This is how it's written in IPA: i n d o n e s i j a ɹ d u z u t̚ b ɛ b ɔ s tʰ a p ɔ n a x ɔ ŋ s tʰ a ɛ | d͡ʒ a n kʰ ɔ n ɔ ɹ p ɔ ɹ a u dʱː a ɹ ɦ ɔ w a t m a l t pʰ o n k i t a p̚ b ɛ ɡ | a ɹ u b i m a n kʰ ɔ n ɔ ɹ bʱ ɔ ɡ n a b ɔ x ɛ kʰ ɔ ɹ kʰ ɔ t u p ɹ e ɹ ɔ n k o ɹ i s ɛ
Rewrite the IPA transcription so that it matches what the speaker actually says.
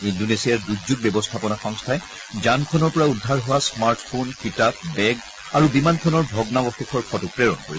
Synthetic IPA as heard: i n d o n e s i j a ɹ d u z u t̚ b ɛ b ɔ s tʰ a p ɔ n a x ɔ ŋ s tʰ a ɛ | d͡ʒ a n kʰ ɔ n ɔ ɹ p ɔ ɹ a u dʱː a ɹ ɦ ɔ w a s m a ɹ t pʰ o n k i t a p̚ b ɛ ɡ | a ɹ u b i m a n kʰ ɔ n ɔ ɹ bʱ ɔ ɡ n a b ɔ x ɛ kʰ ɔ ɹ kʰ ɔ t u p ɹ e ɹ ɔ n k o ɹ i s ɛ